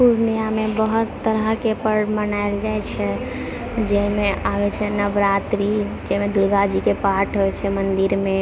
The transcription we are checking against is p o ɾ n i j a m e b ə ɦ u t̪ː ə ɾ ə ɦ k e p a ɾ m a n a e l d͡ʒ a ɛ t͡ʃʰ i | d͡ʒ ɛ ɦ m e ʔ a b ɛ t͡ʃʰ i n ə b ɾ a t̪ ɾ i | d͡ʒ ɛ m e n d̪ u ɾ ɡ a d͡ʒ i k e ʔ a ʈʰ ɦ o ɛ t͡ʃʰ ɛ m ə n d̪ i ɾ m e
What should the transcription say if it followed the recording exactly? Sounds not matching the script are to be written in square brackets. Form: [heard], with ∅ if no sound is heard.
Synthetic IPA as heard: p [u] ɾ n i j a m e b ə ɦ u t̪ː ə ɾ ə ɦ k e p [ə] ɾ m [ə] n a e l d͡ʒ a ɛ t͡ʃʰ [ɛ] | d͡ʒ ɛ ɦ m e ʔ a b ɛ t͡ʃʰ [ɛ] n ə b ɾ a t̪ ɾ i | d͡ʒ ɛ m e [∅] d̪ u ɾ ɡ a d͡ʒ i k e [p] a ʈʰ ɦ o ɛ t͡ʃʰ ɛ m ə n d̪ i ɾ m e